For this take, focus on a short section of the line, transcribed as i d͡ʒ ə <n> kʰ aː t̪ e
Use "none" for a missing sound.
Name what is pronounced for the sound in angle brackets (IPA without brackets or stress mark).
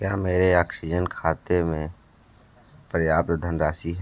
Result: n